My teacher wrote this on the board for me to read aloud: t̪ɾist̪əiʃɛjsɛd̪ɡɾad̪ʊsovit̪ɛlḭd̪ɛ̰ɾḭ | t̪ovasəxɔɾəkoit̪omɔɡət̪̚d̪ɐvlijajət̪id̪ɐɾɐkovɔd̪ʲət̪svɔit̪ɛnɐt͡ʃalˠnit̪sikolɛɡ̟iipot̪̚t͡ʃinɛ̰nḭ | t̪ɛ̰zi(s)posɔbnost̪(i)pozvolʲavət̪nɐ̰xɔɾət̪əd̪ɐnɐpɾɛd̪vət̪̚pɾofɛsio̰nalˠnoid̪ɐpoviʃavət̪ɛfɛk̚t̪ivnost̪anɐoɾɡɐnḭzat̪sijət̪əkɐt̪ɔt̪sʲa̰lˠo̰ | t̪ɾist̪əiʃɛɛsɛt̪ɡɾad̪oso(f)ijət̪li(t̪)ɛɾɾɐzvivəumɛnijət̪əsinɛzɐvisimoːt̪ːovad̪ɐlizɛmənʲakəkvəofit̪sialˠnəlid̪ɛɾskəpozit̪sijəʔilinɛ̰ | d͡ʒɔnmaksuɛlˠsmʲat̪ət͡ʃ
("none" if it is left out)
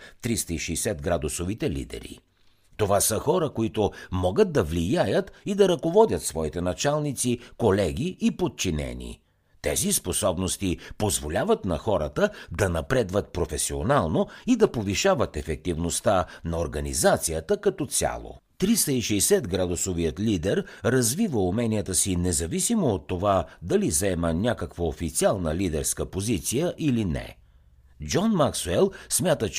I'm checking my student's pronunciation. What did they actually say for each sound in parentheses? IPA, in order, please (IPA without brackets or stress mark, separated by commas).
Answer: s, i, v, d̪